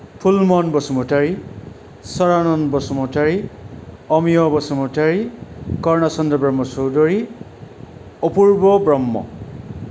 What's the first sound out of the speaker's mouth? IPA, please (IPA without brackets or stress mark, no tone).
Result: pʰ